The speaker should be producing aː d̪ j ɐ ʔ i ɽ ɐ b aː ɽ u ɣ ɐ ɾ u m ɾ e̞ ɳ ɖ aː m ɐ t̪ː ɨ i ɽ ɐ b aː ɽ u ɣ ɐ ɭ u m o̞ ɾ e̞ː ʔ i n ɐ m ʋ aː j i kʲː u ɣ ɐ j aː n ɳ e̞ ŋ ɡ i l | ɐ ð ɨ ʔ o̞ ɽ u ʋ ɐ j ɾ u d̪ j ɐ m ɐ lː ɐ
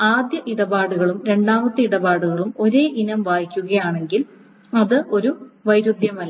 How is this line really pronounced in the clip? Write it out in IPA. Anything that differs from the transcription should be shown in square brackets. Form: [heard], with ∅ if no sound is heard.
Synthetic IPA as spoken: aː d̪ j ɐ ʔ i ɽ ɐ b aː ɽ u ɣ ɐ [ɭ] u m ɾ e̞ ɳ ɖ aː m ɐ t̪ː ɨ i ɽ ɐ b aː ɽ u ɣ ɐ ɭ u m o̞ ɾ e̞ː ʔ i n ɐ m ʋ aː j i kʲː u ɣ ɐ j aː [∅] ɳ e̞ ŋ ɡ i l | ɐ ð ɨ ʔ o̞ [ɾ] u ʋ ɐ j ɾ u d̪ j ɐ m ɐ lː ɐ